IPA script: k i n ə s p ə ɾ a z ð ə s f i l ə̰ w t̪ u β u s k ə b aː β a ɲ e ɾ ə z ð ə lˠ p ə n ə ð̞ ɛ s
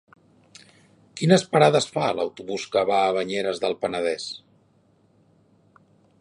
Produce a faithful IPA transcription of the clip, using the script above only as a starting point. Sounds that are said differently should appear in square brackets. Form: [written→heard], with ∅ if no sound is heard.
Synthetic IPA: k i n ə s p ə ɾ a [z→∅] ð ə s f [i→a] l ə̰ w t̪ u β u s k ə [b→β] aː β [a→ə] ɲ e ɾ ə z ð ə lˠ p ə n ə ð̞ ɛ s